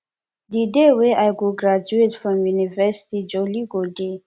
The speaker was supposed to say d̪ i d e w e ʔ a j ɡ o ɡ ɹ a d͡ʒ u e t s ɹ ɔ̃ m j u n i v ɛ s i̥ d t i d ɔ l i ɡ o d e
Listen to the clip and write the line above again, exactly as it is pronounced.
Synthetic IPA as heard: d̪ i d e w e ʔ a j ɡ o ɡ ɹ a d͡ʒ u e t f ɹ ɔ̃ m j u n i v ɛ s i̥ t i d͡ʒ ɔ l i ɡ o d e